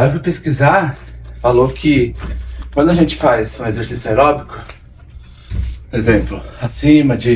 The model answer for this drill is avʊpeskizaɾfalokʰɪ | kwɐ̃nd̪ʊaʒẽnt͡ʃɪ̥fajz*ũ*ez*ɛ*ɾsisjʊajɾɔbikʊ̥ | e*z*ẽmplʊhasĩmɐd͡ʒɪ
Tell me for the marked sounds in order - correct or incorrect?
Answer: correct, incorrect, correct

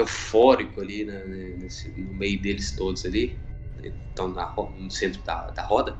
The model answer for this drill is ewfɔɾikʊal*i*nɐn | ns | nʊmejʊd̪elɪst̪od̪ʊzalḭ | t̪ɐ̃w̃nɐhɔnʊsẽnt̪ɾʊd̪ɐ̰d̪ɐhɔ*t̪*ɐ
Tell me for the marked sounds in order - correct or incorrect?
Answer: correct, incorrect

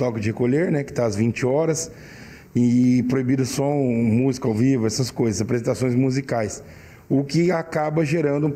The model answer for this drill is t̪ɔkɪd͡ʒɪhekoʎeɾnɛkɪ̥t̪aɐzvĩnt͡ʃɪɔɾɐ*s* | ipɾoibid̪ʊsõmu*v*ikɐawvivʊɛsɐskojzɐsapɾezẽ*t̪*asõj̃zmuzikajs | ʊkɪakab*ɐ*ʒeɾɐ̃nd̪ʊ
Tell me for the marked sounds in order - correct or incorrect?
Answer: correct, incorrect, correct, correct

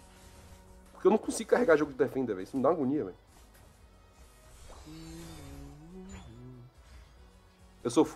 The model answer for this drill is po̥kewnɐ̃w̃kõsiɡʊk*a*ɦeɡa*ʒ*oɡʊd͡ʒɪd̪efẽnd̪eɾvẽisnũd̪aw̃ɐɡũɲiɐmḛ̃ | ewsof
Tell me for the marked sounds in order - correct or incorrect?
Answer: correct, correct

